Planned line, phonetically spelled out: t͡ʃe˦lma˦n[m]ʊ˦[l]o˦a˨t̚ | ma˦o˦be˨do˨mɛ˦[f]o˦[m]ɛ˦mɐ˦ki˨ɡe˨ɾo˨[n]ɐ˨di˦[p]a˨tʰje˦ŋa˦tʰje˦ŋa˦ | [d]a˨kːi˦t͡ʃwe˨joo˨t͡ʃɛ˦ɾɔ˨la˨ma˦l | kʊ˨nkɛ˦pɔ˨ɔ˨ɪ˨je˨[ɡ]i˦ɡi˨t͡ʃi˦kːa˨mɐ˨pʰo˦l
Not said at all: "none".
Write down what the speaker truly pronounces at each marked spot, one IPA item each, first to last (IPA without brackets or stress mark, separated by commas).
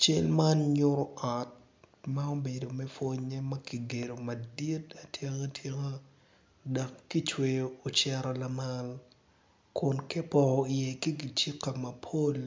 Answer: ɲ, ɾ, f, ɲ, m, t, d, k